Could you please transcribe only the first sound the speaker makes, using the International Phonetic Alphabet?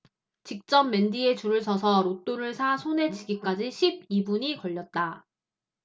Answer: t͡ɕ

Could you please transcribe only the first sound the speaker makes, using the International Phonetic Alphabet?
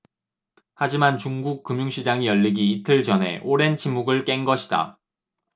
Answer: h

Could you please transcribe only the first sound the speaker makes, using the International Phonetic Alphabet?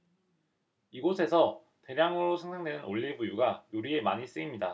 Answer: i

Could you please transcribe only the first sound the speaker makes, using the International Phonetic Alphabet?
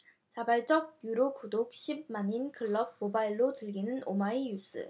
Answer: t͡ɕ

